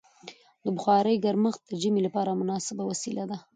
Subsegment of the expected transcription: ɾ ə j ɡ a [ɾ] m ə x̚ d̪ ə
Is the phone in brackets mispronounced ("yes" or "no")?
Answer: no